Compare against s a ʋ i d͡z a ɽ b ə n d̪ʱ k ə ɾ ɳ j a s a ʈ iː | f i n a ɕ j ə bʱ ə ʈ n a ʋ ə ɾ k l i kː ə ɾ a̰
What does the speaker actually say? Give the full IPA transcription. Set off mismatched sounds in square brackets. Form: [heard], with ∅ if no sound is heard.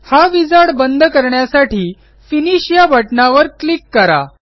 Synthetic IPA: [h] a ʋ i d͡z a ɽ b ə n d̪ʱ k ə ɾ ɳ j a s a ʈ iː | f i n [i] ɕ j [a] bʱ ə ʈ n a ʋ ə ɾ k l i kː ə ɾ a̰